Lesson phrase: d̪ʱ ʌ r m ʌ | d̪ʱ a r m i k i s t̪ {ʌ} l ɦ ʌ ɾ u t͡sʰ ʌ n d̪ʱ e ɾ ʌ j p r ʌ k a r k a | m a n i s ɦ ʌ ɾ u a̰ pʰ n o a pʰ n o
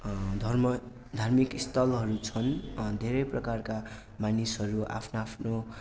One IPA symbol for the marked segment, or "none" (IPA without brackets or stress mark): ʌ